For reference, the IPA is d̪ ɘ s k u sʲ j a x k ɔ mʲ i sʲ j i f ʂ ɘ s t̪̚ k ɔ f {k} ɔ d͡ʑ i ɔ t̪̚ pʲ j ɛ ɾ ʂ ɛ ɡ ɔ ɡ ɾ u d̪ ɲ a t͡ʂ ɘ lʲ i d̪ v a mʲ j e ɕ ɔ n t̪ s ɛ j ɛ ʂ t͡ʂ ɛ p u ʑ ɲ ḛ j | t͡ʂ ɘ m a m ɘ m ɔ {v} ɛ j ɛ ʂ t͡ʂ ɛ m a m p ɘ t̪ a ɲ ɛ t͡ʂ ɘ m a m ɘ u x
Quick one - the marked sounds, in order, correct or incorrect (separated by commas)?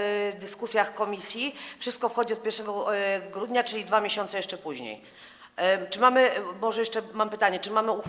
incorrect, incorrect